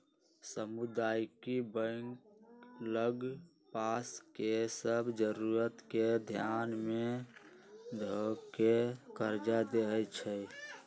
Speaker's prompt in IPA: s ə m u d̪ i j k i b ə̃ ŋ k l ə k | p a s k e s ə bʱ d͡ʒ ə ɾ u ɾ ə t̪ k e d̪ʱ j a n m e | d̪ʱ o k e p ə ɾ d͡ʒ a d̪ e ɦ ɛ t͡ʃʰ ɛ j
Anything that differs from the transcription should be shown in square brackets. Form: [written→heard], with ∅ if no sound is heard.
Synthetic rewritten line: s ə m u d̪ [i→a] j k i b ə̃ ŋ k l ə [k→ɡ] | p a s k e s ə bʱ d͡ʒ ə ɾ u ɾ ə t̪ k e d̪ʱ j a n m e | d̪ʱ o k e [p→k] ə ɾ d͡ʒ a d̪ e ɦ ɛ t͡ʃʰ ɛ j